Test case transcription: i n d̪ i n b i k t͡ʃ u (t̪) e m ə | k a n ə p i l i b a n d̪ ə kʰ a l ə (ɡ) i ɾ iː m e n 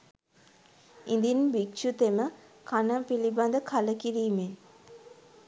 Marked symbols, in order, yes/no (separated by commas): yes, no